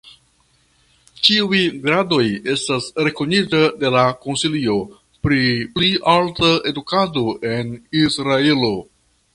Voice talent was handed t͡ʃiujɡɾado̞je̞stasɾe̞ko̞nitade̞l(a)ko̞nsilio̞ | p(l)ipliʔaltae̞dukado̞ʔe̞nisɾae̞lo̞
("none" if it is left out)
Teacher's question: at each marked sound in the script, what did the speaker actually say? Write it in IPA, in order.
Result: a, ɾ

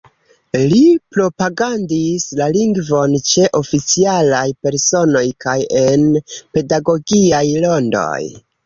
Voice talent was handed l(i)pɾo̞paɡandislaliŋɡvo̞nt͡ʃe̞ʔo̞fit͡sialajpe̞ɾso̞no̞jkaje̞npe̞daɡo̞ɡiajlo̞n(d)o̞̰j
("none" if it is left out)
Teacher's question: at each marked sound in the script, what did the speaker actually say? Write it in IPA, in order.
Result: i, d

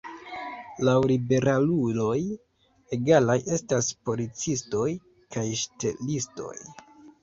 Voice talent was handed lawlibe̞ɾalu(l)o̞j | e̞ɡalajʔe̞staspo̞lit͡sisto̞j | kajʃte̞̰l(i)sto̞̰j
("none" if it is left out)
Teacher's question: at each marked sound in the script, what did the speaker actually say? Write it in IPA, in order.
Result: l, i

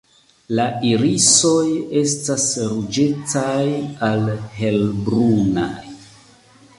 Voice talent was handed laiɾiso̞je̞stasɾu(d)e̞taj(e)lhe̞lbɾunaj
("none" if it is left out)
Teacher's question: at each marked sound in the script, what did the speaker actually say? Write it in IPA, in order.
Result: d͡ʒ, a

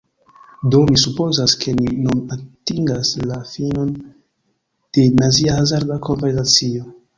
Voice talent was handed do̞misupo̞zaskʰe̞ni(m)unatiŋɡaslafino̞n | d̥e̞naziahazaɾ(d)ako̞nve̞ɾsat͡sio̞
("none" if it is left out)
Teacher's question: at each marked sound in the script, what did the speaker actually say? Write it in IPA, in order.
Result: n, d

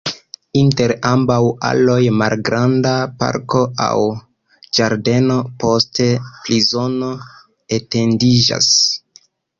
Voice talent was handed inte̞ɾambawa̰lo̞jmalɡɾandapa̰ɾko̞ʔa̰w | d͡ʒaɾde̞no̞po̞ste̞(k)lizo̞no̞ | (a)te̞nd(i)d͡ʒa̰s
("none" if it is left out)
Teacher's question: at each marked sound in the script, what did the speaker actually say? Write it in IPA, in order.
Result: p, e, i

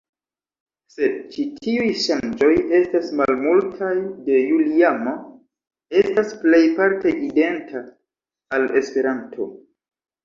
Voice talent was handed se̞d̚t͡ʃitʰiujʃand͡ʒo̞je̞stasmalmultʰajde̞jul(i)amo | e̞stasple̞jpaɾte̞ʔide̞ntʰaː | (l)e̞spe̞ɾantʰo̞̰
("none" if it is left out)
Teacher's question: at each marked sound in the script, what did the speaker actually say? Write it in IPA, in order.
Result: i, l

